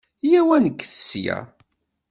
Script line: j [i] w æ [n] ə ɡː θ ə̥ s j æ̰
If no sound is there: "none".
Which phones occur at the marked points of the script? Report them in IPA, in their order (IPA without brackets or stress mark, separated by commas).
æ, n